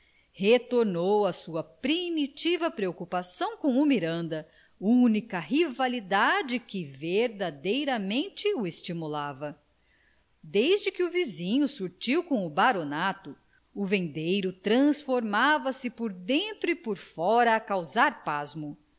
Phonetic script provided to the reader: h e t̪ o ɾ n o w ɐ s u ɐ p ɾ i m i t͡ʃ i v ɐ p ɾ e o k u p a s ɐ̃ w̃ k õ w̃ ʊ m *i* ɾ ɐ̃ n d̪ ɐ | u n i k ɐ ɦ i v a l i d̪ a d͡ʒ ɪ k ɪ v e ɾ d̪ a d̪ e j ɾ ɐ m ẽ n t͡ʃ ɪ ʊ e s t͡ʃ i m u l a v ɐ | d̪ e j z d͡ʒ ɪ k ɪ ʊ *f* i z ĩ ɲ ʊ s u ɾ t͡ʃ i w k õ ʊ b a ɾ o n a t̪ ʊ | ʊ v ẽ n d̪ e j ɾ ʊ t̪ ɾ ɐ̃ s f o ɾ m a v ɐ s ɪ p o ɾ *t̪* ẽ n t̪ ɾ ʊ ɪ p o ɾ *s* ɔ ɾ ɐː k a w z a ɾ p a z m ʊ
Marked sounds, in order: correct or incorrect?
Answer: correct, incorrect, incorrect, incorrect

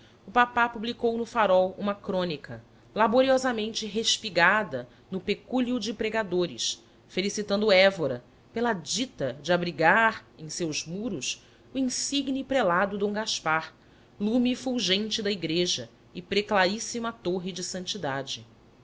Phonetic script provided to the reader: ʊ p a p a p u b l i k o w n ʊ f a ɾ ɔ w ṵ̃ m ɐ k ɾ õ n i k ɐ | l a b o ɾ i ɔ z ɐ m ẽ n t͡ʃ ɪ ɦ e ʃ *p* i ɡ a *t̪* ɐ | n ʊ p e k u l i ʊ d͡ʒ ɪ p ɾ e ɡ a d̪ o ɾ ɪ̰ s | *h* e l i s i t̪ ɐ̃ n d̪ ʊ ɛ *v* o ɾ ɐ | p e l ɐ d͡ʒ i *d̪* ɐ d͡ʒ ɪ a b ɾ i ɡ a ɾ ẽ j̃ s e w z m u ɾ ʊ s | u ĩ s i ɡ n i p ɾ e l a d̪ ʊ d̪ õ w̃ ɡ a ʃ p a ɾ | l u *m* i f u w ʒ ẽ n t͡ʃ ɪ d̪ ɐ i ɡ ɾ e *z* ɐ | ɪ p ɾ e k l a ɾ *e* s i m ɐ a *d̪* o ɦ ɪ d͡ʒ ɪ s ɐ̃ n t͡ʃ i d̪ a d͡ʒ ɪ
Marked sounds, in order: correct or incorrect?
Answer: correct, incorrect, incorrect, correct, incorrect, correct, incorrect, incorrect, incorrect

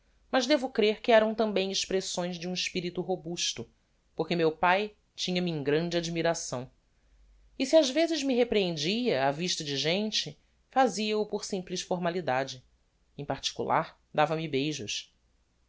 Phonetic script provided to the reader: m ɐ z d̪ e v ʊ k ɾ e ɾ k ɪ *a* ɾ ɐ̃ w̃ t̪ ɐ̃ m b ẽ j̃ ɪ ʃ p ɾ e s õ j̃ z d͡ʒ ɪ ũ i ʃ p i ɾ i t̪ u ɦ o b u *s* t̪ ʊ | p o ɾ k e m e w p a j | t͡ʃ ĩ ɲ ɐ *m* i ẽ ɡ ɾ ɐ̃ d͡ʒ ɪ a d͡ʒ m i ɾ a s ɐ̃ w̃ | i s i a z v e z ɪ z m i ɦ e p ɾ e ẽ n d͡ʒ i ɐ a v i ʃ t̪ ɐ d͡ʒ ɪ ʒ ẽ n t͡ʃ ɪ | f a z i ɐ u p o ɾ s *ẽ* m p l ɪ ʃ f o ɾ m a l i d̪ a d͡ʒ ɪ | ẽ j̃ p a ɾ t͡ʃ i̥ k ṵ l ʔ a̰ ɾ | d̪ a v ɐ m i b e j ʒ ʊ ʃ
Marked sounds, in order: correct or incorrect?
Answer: incorrect, incorrect, correct, incorrect

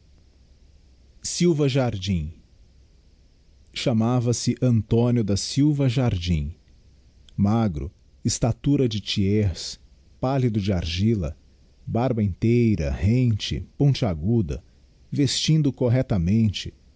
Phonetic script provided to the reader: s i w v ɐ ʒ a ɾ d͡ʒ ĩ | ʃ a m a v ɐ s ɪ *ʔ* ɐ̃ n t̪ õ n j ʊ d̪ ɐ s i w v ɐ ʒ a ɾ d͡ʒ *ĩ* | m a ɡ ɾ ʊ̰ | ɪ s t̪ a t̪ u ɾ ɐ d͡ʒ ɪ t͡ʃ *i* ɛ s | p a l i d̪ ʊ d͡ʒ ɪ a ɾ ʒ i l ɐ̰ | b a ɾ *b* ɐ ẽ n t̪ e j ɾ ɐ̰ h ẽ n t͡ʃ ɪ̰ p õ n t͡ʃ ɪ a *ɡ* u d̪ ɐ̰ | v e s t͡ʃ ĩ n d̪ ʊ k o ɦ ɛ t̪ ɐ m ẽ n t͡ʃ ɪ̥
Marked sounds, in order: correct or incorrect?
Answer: correct, correct, correct, correct, correct

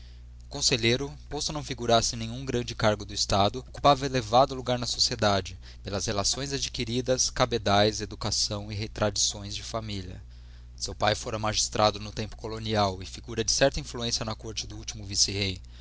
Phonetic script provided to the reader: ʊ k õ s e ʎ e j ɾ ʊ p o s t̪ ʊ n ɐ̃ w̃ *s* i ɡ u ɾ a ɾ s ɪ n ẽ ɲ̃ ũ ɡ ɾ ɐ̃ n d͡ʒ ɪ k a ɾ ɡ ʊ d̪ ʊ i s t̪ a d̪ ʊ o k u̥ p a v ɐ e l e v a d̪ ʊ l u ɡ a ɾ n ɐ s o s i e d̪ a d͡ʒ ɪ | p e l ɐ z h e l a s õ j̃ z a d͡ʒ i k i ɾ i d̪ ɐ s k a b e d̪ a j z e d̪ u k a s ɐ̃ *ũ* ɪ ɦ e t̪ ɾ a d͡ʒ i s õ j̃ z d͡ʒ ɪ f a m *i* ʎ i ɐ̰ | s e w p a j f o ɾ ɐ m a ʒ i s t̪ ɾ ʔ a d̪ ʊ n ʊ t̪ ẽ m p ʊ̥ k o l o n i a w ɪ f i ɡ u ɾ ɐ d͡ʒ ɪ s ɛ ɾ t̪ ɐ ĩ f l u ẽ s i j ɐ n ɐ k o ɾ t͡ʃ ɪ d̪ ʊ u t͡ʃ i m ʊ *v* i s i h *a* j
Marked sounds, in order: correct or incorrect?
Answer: incorrect, incorrect, correct, correct, incorrect

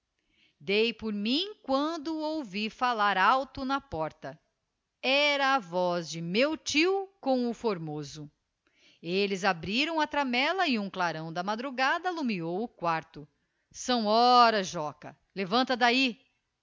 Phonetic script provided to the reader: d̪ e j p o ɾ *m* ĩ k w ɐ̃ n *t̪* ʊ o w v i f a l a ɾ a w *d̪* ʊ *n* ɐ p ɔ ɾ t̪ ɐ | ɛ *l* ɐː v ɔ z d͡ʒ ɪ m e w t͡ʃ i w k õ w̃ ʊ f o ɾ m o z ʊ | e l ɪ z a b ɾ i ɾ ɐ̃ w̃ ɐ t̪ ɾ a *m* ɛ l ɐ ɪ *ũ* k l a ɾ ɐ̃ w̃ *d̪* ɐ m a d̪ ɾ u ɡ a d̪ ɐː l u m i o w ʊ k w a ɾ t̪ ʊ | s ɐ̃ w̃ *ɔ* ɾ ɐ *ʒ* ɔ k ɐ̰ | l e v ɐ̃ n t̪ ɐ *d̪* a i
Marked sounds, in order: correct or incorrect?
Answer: correct, incorrect, incorrect, correct, incorrect, correct, correct, correct, correct, correct, correct

